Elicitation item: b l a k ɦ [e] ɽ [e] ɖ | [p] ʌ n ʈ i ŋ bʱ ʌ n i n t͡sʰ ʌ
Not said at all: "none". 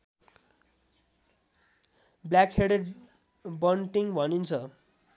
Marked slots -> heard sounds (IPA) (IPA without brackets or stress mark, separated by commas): e, e, b